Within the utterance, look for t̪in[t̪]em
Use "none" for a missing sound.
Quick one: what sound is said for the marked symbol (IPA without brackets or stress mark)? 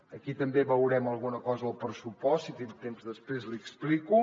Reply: t̪